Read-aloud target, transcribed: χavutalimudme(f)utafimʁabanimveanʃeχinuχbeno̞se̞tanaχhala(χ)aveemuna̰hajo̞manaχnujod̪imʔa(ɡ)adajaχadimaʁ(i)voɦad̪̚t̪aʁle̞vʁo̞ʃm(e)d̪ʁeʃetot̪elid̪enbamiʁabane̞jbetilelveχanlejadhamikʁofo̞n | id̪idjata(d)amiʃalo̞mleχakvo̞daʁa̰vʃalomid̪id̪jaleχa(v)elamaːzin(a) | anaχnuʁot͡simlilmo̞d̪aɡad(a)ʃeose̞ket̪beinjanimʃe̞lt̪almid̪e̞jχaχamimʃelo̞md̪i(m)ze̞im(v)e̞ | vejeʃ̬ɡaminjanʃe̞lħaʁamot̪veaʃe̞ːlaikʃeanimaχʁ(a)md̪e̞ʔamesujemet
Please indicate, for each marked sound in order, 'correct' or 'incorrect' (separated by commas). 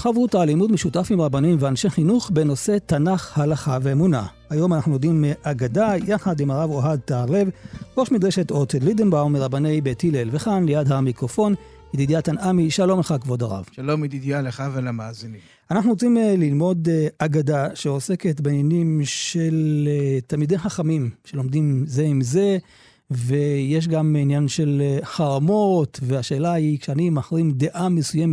incorrect, correct, correct, incorrect, incorrect, incorrect, correct, incorrect, correct, correct, incorrect, incorrect